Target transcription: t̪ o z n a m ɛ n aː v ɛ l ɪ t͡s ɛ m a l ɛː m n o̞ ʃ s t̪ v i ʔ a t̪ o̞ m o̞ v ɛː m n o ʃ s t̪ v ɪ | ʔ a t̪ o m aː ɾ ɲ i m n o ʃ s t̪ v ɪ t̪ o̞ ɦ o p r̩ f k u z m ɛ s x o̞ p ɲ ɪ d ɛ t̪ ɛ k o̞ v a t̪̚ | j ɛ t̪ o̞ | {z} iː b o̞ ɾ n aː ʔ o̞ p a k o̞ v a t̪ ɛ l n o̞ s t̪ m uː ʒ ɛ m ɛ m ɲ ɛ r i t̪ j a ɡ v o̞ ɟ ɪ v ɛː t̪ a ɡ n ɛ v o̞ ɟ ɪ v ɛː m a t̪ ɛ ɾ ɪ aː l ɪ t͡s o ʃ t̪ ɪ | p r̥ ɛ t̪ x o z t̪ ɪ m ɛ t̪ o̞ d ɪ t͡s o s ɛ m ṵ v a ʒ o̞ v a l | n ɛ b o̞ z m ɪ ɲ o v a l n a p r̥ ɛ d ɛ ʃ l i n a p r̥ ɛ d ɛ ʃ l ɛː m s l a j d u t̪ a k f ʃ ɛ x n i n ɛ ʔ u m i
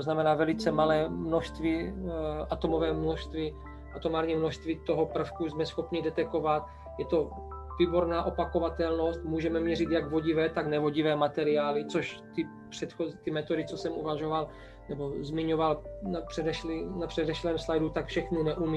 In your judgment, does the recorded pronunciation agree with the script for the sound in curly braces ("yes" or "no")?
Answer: no